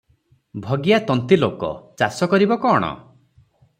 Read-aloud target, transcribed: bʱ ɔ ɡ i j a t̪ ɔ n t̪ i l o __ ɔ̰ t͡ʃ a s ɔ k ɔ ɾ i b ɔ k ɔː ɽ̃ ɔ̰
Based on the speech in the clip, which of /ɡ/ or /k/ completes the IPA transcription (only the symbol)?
k